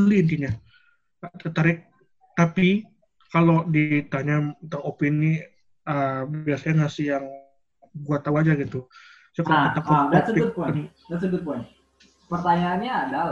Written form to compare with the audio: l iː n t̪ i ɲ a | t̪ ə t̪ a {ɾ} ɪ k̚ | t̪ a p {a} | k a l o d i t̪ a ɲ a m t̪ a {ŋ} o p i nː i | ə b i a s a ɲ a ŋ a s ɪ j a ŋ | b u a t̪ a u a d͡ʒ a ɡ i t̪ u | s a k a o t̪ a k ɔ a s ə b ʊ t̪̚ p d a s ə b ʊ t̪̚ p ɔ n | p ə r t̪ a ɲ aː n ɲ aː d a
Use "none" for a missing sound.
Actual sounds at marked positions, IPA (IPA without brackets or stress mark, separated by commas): ɾ, i, ŋ